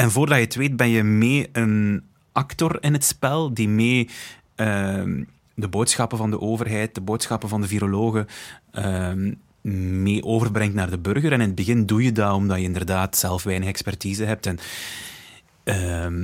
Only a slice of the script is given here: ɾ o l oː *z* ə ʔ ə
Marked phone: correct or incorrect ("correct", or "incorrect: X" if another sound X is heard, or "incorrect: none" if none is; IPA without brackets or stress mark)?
incorrect: ɣ